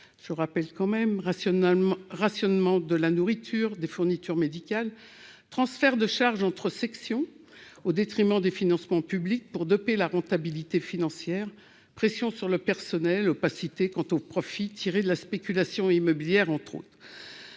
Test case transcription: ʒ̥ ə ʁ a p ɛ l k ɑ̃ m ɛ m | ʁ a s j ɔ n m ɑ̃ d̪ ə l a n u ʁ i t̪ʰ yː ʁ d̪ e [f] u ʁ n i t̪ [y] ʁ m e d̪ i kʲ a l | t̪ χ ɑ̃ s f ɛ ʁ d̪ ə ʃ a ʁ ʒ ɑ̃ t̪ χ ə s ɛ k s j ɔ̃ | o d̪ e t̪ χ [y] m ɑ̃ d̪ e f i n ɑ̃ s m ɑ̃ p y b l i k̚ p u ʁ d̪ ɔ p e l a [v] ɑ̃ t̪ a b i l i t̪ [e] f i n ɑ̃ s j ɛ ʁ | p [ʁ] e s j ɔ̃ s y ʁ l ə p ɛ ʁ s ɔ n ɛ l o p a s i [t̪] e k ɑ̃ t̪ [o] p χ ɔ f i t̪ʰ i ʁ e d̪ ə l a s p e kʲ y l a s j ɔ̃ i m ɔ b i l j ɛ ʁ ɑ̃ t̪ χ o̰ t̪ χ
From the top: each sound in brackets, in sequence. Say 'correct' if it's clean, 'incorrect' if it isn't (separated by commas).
correct, correct, incorrect, incorrect, correct, incorrect, correct, correct